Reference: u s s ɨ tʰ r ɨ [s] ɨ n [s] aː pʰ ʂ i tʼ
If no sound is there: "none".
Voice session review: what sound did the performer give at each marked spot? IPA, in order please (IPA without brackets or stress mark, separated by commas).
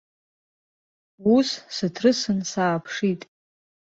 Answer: s, s